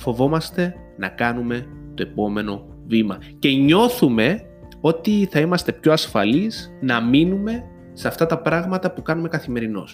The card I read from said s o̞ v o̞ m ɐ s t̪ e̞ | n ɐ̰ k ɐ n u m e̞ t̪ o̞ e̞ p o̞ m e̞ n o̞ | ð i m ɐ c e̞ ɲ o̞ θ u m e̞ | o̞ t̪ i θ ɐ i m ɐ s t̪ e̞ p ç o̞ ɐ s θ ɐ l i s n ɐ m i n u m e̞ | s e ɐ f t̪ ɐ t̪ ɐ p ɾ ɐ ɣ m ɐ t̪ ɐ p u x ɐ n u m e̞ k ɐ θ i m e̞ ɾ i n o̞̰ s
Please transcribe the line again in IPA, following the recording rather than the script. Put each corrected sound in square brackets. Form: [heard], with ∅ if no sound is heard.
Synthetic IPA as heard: [f] o̞ v o̞ m ɐ s t̪ e̞ | n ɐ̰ k ɐ n u m e̞ t̪ o̞ e̞ p o̞ m e̞ n o̞ | [v] i m ɐ c e̞ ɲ o̞ θ u m e̞ | o̞ t̪ i θ ɐ i m ɐ s t̪ e̞ p ç o̞ ɐ s [f] ɐ l i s n ɐ m i n u m e̞ | s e ɐ f t̪ ɐ t̪ ɐ p ɾ ɐ ɣ m ɐ t̪ ɐ p u [k] ɐ n u m e̞ k ɐ θ i m e̞ ɾ i n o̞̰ s